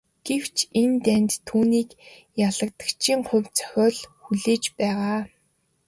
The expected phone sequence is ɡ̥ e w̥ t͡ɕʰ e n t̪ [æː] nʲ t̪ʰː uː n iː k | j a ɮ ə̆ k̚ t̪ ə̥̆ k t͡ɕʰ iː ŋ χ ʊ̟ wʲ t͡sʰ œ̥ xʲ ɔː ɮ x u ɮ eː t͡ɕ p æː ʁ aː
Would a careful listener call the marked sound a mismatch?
yes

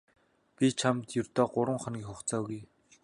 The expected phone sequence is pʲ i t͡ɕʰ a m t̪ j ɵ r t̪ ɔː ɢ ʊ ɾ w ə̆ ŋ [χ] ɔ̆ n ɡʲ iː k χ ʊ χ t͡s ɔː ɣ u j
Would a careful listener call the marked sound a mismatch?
no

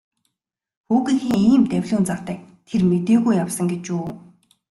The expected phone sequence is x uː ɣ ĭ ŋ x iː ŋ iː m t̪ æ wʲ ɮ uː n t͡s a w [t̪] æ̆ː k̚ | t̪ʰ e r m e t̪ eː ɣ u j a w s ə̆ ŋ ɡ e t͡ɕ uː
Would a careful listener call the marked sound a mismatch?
no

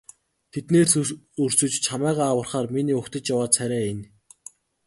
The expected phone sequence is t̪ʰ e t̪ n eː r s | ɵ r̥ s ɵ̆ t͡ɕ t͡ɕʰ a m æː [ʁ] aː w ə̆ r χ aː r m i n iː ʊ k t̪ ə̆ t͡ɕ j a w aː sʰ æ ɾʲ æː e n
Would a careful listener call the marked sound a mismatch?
no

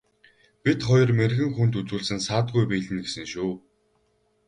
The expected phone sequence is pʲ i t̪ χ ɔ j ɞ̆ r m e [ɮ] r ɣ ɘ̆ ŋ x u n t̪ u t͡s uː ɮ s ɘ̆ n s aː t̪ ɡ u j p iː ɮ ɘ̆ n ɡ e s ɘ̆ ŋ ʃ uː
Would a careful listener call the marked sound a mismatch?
yes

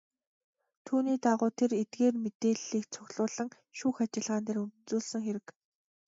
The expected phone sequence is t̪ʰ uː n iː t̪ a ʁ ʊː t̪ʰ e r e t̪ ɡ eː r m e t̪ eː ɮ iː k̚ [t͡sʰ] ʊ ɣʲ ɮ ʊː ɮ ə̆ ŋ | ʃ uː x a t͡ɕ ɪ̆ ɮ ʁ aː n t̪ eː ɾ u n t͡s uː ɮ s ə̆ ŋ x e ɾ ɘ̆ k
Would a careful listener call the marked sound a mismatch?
no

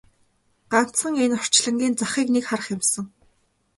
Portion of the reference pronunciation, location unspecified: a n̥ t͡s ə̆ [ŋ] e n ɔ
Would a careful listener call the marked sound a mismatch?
no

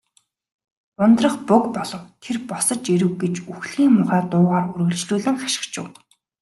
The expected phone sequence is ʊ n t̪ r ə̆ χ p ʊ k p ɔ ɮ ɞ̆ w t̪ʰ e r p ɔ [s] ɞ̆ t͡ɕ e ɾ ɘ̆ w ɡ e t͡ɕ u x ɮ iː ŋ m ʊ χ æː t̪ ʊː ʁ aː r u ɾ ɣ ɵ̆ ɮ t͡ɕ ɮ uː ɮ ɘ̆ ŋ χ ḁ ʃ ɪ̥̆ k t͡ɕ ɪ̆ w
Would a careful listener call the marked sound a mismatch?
no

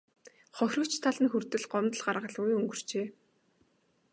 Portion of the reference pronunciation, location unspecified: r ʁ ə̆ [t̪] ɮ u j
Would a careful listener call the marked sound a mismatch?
yes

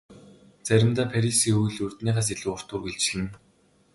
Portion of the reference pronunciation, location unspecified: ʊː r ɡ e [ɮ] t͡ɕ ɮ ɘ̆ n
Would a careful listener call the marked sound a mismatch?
no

